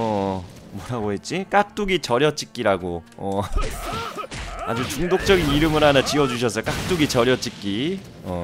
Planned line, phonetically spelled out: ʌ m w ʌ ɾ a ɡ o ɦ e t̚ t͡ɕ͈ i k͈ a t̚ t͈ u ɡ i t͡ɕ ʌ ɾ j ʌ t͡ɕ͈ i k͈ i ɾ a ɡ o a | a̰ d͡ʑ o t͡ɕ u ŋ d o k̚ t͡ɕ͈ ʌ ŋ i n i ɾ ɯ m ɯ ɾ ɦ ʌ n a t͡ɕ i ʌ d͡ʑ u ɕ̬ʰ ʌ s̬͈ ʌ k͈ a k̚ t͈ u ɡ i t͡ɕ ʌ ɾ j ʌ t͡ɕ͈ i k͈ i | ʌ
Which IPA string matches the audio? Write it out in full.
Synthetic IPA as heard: ʌ m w ʌ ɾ a ɡ o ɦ e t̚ t͡ɕ͈ i k͈ a k̚ t͈ u ɡ i t͡ɕ ʌ ɾ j ʌ t͡ɕ͈ i k͈ i ɾ a ɡ o ʌ | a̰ d͡ʑ u t͡ɕ u ŋ d o k̚ t͡ɕ͈ ʌ ɡ i n i ɾ ɯ m ɯ ɾ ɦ a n a t͡ɕ i ʌ d͡ʑ u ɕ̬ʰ ʌ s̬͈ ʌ k͈ a k̚ t͈ u ɡ i t͡ɕ ʌ ɾ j ʌ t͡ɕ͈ i k͈ i | ʌ